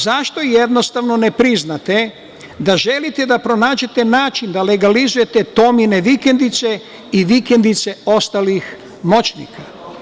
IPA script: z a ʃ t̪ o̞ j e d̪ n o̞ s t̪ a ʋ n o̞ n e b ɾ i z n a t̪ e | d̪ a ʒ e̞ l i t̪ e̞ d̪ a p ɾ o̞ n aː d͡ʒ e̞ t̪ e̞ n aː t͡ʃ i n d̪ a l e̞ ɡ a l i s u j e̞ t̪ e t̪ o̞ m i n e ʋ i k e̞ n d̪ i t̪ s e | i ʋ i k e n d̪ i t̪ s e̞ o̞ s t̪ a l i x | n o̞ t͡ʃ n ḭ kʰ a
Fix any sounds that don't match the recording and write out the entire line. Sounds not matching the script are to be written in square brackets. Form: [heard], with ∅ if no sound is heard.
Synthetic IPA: z a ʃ t̪ o̞ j e d̪ n o̞ s t̪ a ʋ n o̞ n e [p] ɾ i z n a t̪ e | d̪ a ʒ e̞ l i t̪ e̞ d̪ a p ɾ o̞ n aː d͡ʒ e̞ t̪ e̞ n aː t͡ʃ i n d̪ a l e̞ ɡ a l i [z] u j e̞ t̪ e t̪ o̞ m i n e ʋ i k e̞ n d̪ i t̪ s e | i ʋ i k e n d̪ i t̪ s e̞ o̞ s t̪ a l i x | [m] o̞ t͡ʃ n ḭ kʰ a